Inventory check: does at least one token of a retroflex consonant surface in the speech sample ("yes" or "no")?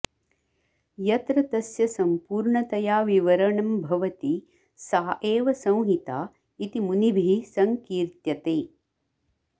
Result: yes